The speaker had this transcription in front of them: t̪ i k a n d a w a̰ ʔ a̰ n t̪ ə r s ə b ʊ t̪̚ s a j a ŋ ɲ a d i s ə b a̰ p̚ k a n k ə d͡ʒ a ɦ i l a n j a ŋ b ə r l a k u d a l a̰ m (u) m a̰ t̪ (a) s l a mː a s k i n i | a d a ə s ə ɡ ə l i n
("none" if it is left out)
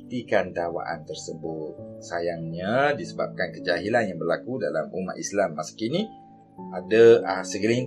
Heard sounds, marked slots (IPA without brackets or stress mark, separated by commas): u, i